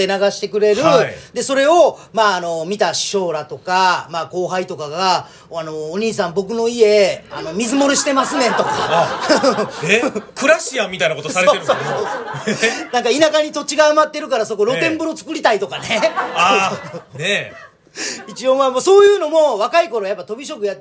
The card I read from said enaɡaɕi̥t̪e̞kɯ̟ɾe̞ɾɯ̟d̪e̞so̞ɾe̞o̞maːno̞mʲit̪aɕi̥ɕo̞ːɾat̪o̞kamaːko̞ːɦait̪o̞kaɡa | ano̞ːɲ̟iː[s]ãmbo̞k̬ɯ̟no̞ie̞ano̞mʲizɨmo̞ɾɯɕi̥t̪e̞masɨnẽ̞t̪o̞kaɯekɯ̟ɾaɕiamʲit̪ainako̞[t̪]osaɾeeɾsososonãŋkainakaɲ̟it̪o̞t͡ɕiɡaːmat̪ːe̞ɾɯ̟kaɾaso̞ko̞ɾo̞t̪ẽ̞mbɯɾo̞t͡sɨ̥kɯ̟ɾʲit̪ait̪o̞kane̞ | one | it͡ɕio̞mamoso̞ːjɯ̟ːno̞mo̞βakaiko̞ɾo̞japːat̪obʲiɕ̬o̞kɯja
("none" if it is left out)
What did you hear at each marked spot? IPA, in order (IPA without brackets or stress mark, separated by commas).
s, t̪